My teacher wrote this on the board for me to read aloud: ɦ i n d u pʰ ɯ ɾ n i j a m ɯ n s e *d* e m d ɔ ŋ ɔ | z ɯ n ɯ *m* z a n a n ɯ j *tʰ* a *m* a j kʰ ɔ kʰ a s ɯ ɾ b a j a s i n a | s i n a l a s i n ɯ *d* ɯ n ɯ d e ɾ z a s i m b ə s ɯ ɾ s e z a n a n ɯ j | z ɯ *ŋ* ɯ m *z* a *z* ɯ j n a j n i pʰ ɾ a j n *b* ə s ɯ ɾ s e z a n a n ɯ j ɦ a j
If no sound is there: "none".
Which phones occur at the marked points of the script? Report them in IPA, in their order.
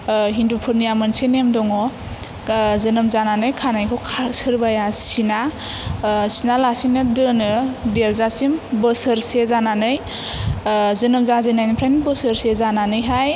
n, m, kʰ, n, d, n, z, z, b

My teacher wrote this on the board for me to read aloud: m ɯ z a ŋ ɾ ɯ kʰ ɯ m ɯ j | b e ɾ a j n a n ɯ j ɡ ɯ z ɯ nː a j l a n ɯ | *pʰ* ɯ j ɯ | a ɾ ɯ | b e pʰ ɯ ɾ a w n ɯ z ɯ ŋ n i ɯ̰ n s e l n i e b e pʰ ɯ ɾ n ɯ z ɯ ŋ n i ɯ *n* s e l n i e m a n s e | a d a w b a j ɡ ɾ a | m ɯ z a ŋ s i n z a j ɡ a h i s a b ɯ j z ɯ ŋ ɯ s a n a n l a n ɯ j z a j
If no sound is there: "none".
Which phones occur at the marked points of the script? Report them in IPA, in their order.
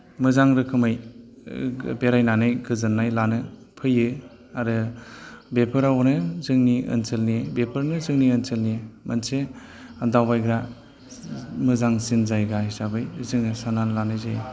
pʰ, n

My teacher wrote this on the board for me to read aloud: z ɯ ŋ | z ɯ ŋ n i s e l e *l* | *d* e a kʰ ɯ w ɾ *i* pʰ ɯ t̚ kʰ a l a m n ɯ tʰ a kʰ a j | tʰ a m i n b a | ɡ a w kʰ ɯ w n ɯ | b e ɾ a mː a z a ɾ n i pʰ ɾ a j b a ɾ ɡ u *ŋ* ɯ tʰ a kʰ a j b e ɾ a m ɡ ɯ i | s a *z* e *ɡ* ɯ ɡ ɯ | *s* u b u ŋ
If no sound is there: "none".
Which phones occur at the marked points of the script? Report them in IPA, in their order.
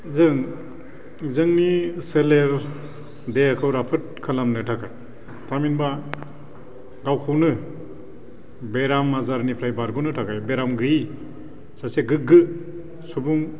ɾ, d, a, n, s, ɡ, s

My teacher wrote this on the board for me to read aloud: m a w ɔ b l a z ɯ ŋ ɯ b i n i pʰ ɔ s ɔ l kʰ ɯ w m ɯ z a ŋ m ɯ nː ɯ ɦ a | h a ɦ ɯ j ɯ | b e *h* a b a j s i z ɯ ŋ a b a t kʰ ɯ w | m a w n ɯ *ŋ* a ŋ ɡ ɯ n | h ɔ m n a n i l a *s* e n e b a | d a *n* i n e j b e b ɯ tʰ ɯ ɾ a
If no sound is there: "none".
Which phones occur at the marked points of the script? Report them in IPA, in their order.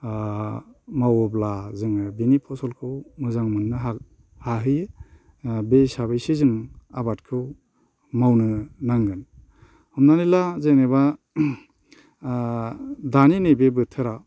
s, n, z, n

